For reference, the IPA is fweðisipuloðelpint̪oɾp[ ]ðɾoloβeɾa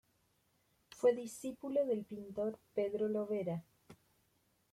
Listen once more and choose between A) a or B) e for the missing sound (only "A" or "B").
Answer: B